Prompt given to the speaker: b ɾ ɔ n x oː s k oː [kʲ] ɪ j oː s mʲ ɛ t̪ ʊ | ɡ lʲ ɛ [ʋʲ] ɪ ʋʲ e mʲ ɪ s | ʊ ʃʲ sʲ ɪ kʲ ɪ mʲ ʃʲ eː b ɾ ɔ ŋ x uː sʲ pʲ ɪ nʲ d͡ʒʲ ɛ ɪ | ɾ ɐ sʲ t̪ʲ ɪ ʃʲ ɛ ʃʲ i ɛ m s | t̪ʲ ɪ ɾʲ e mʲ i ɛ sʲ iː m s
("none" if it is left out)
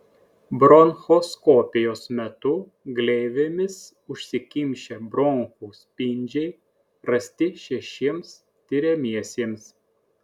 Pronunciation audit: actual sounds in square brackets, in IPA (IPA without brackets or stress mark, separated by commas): pʲ, none